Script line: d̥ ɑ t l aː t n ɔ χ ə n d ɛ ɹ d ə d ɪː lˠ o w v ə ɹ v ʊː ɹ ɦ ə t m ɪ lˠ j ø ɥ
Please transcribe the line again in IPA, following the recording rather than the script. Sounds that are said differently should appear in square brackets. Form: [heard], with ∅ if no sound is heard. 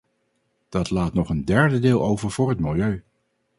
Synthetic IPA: d̥ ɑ t l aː t n ɔ χ ə n d ɛ ɹ d ə d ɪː lˠ o w v ə ɹ v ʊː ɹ ɦ ə t m ɪ lˠ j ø ɥ

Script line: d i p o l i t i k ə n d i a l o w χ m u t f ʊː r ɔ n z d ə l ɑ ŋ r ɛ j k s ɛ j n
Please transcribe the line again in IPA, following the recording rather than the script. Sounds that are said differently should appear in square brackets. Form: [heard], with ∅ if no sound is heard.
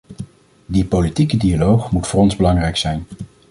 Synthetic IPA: d i p o l i t i k ə [∅] d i a l o w χ m u t f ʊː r ɔ n z [b] ə l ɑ ŋ r ɛ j k s ɛ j n

